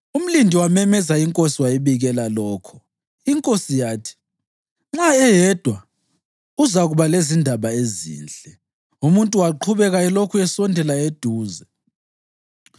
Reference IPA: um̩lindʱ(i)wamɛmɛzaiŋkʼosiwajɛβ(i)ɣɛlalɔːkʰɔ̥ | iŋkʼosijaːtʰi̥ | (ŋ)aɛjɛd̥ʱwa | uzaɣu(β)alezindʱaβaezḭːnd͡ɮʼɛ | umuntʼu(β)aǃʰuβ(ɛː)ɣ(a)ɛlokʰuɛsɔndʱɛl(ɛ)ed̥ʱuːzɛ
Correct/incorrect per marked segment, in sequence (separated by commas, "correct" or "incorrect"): correct, correct, incorrect, correct, incorrect, incorrect, correct, incorrect